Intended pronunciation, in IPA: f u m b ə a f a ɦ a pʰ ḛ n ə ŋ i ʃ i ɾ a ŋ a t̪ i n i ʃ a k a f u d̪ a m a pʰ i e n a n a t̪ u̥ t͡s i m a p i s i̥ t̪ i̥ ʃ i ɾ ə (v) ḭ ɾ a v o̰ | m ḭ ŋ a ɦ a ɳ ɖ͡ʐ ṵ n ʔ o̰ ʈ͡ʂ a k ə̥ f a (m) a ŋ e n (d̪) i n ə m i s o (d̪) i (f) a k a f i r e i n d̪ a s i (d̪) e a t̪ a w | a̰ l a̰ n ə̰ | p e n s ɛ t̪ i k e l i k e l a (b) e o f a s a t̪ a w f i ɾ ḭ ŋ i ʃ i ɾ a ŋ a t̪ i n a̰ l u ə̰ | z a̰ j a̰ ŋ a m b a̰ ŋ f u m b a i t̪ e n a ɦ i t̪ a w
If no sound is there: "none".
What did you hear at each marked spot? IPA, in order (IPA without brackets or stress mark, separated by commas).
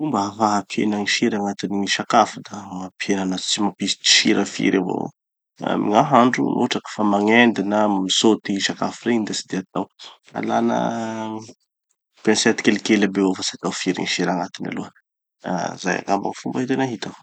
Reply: f, m, d̪, t̪, ʃ, d̪, b